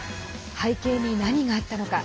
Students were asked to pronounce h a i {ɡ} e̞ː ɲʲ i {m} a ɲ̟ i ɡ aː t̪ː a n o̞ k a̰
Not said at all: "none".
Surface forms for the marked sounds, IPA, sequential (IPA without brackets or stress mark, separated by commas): k, n